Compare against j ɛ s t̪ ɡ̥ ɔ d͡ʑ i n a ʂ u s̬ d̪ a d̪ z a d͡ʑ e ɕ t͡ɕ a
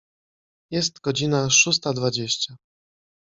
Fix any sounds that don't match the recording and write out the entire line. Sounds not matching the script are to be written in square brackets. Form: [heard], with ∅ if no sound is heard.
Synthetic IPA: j ɛ s t̪ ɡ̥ ɔ d͡ʑ i n a ʂ u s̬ [t̪] a d̪ [v] a d͡ʑ e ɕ t͡ɕ a